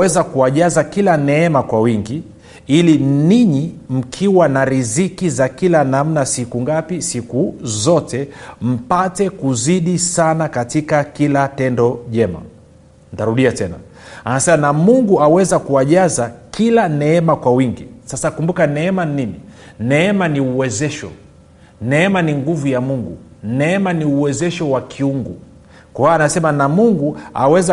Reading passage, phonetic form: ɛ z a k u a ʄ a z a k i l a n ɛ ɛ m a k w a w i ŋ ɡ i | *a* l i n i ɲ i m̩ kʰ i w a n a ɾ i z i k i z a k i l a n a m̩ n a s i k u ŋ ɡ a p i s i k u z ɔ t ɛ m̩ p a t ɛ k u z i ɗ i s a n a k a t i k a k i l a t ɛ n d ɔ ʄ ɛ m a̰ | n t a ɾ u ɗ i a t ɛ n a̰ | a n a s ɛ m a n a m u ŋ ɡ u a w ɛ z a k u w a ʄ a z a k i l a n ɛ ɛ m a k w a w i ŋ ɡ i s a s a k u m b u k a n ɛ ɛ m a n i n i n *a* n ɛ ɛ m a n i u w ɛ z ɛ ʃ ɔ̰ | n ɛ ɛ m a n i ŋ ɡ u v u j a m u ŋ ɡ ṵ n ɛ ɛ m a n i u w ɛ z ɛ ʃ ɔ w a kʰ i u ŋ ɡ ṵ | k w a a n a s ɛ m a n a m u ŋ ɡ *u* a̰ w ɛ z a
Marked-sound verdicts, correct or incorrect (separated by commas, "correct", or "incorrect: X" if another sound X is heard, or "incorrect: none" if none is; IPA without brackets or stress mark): incorrect: i, incorrect: i, correct